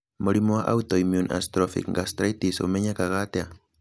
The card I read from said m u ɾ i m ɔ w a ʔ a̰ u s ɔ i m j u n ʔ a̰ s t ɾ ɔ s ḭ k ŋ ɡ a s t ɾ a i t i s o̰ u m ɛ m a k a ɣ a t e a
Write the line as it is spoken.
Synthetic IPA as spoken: m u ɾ i m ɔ w a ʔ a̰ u t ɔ i m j u n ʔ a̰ s t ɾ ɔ f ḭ k ŋ ɡ a s t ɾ a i t i s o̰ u m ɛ ɲ a k a ɣ a t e a